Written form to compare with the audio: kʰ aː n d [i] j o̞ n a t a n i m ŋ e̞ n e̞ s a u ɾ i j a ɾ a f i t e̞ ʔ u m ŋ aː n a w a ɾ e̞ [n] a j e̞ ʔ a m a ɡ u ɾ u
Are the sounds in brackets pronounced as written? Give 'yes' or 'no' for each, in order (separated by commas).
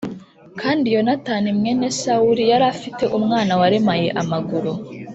yes, no